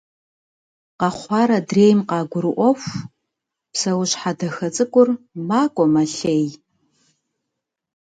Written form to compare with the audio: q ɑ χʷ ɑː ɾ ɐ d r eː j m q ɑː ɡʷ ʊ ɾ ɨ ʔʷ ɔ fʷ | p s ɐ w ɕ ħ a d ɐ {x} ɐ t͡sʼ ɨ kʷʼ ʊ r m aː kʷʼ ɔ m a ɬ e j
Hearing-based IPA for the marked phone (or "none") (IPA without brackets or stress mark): x